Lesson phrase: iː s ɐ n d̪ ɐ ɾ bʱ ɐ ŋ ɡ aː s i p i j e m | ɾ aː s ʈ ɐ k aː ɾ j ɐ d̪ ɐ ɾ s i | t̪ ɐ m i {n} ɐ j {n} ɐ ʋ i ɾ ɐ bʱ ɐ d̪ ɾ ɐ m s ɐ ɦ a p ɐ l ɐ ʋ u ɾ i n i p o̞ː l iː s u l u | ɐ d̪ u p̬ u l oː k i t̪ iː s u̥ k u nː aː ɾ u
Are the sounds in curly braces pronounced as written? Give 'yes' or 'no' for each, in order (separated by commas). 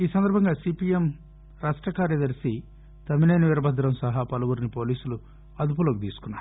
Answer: yes, yes